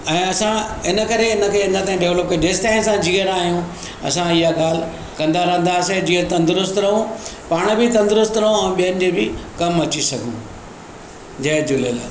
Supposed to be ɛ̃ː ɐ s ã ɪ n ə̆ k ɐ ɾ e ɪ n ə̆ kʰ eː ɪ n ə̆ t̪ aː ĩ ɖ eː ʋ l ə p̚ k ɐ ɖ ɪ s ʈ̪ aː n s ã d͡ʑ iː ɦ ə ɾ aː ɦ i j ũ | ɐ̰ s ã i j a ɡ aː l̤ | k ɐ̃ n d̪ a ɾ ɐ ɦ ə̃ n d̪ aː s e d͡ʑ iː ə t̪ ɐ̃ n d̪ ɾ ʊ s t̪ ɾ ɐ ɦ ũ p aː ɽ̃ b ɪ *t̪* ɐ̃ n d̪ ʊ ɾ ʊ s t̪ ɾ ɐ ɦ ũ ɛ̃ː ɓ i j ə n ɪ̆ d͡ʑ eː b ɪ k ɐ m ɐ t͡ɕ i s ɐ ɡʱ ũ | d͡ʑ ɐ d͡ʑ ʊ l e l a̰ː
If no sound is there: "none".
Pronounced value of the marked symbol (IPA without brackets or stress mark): t̪